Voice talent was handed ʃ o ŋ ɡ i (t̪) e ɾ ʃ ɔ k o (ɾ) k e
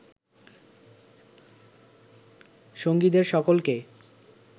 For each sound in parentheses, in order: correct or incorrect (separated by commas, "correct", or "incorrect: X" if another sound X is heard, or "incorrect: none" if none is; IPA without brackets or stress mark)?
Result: incorrect: d̪, incorrect: l